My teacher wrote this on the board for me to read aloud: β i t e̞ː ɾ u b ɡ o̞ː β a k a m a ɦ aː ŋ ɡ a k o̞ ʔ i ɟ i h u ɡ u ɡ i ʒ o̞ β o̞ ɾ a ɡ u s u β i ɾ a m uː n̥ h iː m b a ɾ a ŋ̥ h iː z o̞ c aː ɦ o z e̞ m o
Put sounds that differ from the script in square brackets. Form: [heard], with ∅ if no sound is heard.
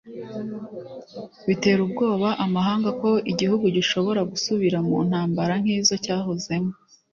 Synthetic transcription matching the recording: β i t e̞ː ɾ u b ɡ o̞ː β a [ʔ] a m a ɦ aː ŋ ɡ a k o̞ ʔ i ɟ i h u ɡ u [ɟ] i [ʃ] o̞ β o̞ ɾ a ɡ u s u β i ɾ a m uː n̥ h [aː] m b a ɾ a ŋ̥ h iː z o̞ c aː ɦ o z e̞ m o

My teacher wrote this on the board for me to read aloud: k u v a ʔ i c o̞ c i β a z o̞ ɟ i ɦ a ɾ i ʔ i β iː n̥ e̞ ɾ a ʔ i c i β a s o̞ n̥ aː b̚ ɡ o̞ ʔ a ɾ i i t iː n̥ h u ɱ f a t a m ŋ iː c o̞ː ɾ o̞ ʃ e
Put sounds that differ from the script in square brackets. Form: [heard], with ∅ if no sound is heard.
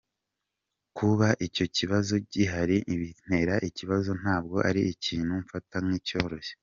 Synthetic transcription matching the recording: k u [β] a ʔ i c o̞ c i β a z o̞ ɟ i ɦ a ɾ i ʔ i β [i] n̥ e̞ ɾ a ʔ i c i β a [z] o̞ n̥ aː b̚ ɡ o̞ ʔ a ɾ i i [c] iː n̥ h u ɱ f a t a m ŋ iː c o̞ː ɾ o̞ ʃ e

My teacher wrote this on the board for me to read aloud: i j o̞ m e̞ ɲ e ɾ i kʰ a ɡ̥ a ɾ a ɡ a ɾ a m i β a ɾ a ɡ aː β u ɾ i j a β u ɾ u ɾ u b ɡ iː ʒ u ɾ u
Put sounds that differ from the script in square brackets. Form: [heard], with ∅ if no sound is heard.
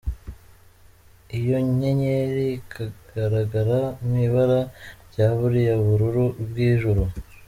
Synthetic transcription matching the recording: i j o̞ [ɲ] e̞ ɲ e ɾ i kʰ a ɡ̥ a ɾ a ɡ a ɾ a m i β a ɾ a [ɟ] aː β u ɾ i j a β u ɾ u ɾ u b ɡ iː ʒ u ɾ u

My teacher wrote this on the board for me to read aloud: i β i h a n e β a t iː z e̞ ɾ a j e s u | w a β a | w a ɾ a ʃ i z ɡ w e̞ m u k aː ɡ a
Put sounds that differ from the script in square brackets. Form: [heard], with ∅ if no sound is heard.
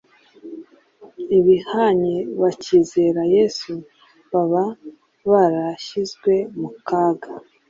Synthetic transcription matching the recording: i β i h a [ɲ] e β a [c] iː z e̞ ɾ a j e s u | [β] a β a | [β] a ɾ a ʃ i z ɡ w e̞ m u k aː ɡ a

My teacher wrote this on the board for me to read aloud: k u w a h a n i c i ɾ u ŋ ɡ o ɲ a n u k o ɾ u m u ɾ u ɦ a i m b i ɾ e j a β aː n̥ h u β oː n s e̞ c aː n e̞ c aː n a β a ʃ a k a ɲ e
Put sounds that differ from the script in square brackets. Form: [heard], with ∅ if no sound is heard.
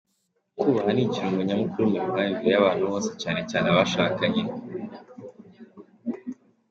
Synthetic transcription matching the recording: k u [β] a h a n i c i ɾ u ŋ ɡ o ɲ a [m] u k [u] ɾ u m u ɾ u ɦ a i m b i ɾ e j a β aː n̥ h u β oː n s e̞ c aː n e̞ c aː n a β a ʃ a k a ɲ e

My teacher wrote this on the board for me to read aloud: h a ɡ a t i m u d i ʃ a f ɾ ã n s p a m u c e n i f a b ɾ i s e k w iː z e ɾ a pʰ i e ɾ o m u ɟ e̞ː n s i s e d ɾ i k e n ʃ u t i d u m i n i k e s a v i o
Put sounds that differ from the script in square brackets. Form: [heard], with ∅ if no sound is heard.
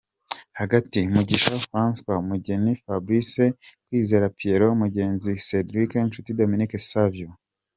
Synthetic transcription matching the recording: h a ɡ a t i m u [ɟ] i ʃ a f ɾ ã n s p a m u [ɟ] e n i f a b ɾ i s e k w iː z e ɾ a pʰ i e ɾ o m u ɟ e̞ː n [z] i s e d ɾ i k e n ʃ u t i d [o] m i n i k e s a v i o

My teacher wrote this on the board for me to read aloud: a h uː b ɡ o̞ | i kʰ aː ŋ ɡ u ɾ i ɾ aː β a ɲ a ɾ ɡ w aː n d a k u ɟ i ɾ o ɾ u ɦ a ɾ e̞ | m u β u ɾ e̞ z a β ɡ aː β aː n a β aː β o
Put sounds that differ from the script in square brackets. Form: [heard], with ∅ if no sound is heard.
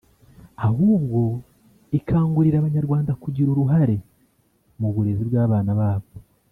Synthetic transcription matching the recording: a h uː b ɡ o̞ | i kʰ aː ŋ ɡ u ɾ i ɾ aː β a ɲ a ɾ ɡ w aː n d a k u ɟ i ɾ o ɾ u ɦ a ɾ e̞ | m u β u ɾ e̞ z [i] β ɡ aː β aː n a β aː β o

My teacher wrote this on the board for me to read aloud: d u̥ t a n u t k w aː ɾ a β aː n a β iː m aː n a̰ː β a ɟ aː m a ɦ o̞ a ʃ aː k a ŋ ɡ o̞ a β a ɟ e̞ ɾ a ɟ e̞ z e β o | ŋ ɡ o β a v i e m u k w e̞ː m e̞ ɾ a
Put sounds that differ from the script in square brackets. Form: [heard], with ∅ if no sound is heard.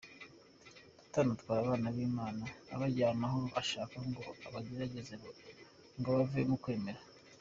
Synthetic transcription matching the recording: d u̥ t a n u t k w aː ɾ a β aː n a β iː m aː n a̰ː β a ɟ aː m a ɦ o̞ a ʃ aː k a ŋ ɡ o̞ a β a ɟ e̞ ɾ a ɟ e̞ z e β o | ŋ ɡ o β a v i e m u k w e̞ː m e̞ ɾ a

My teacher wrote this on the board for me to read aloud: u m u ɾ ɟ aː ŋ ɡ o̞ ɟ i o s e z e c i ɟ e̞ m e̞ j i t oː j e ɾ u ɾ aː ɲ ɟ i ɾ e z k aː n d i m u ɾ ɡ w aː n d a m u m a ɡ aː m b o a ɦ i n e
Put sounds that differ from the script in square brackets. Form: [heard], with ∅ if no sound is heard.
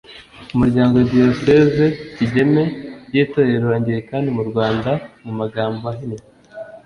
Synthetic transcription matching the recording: u m u ɾ ɟ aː ŋ ɡ o̞ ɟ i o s e z e c i ɟ e̞ m e̞ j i t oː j e ɾ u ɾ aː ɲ ɟ i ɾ e [∅] k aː n d i m u ɾ ɡ w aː n d a m u m a ɡ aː m b o a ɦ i n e

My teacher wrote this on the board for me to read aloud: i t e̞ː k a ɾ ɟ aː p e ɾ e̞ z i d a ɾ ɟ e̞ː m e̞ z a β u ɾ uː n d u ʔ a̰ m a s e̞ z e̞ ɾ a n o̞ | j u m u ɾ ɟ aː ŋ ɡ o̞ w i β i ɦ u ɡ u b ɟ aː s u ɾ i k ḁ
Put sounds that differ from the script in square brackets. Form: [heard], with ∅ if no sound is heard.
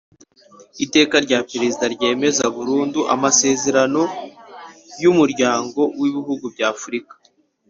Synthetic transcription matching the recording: i t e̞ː k a ɾ ɟ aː p e ɾ e̞ z i d a ɾ ɟ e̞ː m e̞ z a β u ɾ uː n d u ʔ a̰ m a s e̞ z e̞ ɾ a n o̞ | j u m u ɾ ɟ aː ŋ ɡ o̞ w i β i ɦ u ɡ u b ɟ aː [f] u ɾ i k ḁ

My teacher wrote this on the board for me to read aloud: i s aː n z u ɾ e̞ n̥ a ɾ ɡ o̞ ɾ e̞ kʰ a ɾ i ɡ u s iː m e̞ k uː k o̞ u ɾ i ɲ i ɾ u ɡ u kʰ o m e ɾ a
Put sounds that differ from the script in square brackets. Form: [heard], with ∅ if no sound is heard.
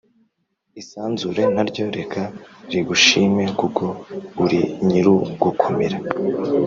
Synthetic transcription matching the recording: i s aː n z u ɾ e̞ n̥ a ɾ [ɟ] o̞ ɾ e̞ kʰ a ɾ i ɡ u [ʃ] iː m e̞ k [u] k o̞ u ɾ i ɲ i ɾ u ɡ u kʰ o m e ɾ a

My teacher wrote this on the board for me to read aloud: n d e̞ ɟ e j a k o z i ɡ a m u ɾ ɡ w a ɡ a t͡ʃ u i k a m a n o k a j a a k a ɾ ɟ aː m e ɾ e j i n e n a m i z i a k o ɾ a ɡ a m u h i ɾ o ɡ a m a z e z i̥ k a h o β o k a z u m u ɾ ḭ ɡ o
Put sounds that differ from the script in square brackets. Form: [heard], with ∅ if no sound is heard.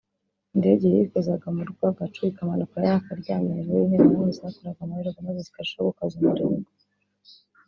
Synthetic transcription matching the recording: n d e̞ ɟ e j [i] k o z [a] ɡ a m u ɾ ɡ w a ɡ a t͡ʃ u i k a m a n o k a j a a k a ɾ ɟ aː m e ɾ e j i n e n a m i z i a k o ɾ a ɡ a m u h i ɾ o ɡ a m a z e z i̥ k a [ʃ] o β o k a z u m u ɾ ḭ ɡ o

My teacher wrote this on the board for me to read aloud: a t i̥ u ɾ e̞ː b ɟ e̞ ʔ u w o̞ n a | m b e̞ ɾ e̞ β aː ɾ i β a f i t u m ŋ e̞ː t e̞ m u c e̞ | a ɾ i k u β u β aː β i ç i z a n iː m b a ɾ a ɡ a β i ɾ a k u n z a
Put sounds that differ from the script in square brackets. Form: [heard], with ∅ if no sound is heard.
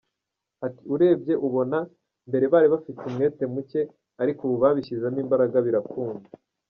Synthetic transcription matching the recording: a t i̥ u ɾ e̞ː b ɟ e̞ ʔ u [β] o̞ n a | m b e̞ ɾ e̞ β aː ɾ i β a f i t u m ŋ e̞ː t e̞ m u c e̞ | a ɾ i k u β u β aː β i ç i z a n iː m b a ɾ a ɡ a β i ɾ a k [uː] n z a

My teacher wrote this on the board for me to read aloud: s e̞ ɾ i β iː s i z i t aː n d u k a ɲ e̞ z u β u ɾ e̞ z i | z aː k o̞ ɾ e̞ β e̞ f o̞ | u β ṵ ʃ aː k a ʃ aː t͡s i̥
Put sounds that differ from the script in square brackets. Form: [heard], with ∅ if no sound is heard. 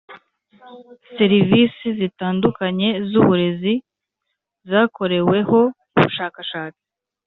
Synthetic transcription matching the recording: s e̞ ɾ i [v] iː s i z i t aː n d u k a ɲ e̞ z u β u ɾ e̞ z i | z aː k o̞ ɾ e̞ [w] e̞ [h] o̞ | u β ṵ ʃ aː k a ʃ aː t͡s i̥

